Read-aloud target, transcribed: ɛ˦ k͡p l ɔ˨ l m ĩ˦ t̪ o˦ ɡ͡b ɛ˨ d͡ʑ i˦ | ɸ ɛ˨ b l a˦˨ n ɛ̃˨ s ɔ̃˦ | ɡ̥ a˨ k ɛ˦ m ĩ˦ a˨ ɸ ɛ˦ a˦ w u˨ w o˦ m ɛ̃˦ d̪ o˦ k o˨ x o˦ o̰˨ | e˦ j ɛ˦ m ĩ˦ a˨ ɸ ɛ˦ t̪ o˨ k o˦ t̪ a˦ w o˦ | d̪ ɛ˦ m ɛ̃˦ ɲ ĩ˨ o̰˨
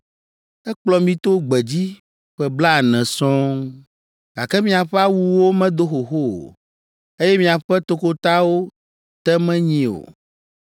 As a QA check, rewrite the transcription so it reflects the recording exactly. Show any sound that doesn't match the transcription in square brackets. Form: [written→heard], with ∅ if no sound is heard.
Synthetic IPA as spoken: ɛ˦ k͡p l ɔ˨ [l→∅] m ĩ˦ t̪ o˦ ɡ͡b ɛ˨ d͡ʑ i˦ | ɸ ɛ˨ b l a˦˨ n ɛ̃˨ s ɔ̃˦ | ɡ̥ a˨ k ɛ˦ m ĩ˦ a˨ ɸ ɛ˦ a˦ w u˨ w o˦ m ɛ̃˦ d̪ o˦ [k→x] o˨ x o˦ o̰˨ | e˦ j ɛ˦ m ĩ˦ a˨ ɸ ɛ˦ t̪ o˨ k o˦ t̪ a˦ w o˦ | [d̪→t̪] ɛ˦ m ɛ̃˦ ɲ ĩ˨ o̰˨